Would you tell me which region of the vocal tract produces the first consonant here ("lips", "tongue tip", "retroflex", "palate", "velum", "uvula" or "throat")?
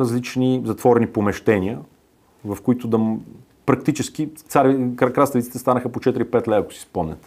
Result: tongue tip